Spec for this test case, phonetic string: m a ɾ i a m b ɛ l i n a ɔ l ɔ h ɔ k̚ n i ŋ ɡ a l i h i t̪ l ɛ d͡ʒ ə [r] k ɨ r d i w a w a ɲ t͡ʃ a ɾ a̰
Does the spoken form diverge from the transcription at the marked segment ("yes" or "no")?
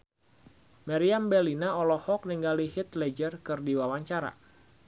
no